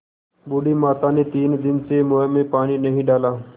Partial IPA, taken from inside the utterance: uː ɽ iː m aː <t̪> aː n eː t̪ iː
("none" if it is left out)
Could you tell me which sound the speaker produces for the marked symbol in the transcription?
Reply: t̪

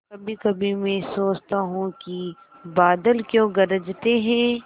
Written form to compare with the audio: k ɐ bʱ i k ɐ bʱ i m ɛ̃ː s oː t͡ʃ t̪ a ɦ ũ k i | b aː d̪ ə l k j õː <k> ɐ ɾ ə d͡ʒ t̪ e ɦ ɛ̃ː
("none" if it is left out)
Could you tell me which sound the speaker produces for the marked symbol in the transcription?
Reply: ɡ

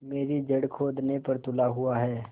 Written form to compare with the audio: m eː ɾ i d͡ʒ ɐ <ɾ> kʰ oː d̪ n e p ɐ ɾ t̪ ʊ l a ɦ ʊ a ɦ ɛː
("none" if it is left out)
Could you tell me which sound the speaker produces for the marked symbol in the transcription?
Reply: ɽ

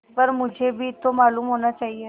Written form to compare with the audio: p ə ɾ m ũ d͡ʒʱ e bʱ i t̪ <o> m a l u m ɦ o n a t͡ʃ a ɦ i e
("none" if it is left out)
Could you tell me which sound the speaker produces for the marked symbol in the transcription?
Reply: o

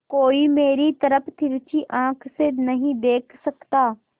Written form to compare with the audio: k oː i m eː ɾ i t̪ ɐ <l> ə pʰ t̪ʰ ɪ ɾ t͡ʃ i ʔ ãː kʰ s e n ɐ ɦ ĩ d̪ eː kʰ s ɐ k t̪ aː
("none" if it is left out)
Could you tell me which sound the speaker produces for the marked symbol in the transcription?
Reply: ɾ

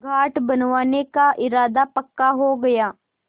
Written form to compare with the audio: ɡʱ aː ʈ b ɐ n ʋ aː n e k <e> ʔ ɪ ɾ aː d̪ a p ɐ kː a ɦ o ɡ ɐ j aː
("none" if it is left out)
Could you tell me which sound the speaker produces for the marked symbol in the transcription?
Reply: a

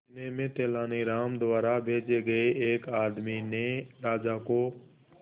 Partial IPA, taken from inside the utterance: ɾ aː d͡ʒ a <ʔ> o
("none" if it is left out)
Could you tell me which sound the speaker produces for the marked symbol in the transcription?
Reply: k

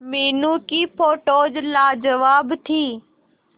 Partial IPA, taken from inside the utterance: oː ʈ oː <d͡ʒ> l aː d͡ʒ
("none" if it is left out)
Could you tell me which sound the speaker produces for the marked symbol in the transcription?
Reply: d͡ʒ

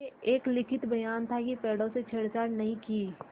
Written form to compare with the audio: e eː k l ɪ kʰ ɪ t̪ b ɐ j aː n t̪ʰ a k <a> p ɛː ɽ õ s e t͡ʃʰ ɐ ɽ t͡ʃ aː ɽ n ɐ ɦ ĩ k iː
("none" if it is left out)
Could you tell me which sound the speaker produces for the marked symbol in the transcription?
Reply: i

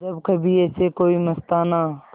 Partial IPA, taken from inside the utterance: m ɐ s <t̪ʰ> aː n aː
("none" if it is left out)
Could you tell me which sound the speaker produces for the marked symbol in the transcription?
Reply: t̪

